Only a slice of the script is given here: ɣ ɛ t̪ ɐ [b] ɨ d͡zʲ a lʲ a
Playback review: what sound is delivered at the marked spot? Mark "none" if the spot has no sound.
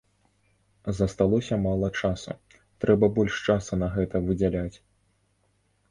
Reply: v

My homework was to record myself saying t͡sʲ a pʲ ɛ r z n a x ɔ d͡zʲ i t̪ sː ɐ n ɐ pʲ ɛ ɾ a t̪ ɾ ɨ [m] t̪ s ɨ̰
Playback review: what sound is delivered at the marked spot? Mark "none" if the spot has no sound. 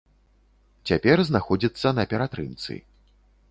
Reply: m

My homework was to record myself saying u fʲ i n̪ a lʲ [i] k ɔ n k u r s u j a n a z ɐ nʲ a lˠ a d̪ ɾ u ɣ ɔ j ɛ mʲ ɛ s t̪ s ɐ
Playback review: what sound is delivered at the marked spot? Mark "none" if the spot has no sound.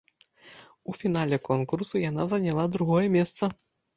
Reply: ɛ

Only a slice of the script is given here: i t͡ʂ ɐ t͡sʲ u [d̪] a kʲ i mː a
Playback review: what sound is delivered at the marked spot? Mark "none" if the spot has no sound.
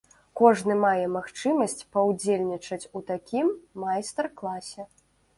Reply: t̪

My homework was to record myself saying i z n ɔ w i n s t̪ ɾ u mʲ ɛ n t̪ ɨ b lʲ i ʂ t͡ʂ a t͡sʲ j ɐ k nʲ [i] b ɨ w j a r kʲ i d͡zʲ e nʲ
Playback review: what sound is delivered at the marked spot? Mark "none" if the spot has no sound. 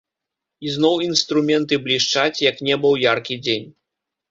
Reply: ɛ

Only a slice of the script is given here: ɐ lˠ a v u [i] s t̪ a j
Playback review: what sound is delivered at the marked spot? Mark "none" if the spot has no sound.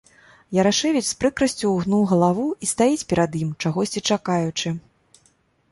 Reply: i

